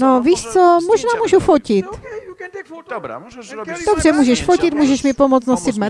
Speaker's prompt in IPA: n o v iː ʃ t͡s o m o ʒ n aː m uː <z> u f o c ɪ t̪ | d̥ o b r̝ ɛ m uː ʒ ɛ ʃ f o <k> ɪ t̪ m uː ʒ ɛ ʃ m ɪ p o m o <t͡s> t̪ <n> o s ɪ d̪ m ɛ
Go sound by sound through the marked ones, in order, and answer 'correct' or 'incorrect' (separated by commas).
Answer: incorrect, incorrect, correct, correct